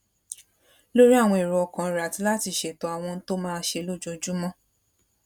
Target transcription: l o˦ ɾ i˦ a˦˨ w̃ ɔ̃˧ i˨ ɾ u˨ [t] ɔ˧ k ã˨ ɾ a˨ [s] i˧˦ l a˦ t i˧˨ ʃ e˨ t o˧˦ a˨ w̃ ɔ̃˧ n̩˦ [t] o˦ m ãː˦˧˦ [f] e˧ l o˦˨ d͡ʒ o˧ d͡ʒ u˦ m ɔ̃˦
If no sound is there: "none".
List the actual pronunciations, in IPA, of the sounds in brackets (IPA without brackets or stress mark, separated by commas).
none, t, t, ʃ